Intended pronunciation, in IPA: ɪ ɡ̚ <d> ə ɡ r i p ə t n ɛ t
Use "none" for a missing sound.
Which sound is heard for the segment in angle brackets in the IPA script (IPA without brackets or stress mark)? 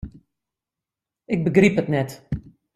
b